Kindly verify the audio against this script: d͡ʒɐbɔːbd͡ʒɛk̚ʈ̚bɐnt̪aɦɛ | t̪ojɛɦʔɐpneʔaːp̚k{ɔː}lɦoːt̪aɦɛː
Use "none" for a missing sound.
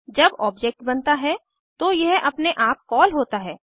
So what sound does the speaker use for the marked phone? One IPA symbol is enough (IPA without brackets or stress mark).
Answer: ɔː